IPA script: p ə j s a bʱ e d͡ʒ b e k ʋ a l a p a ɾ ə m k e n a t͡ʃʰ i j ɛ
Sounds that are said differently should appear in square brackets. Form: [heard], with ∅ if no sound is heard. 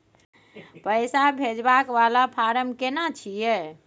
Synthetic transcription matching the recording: p ə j s a bʱ e d͡ʒ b [a] k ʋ a l a [pʰ] a ɾ ə m k e n a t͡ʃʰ i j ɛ